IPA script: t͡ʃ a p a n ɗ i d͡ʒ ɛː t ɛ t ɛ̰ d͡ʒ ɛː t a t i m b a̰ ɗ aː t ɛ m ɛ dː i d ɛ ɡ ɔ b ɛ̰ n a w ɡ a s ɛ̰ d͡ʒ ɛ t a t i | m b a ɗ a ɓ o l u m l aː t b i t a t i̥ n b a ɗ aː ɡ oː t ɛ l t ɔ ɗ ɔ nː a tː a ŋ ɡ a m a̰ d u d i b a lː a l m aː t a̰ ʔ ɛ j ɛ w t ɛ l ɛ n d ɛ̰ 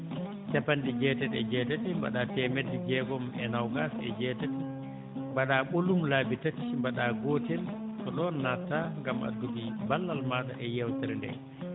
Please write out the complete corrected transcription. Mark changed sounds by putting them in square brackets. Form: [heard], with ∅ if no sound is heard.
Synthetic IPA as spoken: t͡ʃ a p a n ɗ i d͡ʒ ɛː t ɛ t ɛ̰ d͡ʒ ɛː t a t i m b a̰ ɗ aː t ɛ m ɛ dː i [d͡ʒ] ɛ ɡ ɔ [m] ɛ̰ n a w ɡ a s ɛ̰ d͡ʒ ɛ t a t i | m b a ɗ a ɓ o l u m l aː [∅] b i t a t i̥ [m] b a ɗ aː ɡ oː t ɛ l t ɔ ɗ ɔ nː a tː a ŋ ɡ a m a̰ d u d i b a lː a l m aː t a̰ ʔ ɛ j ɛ w t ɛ [ɾ] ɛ n d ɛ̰